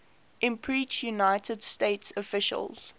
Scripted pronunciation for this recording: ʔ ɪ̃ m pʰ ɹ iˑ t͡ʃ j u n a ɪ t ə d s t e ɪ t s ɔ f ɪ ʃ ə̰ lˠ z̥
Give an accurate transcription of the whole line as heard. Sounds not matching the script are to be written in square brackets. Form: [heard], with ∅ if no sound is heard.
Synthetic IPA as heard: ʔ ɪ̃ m pʰ ɹ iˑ t͡ʃ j u n a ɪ t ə d s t e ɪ t s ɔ f ɪ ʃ ə̰ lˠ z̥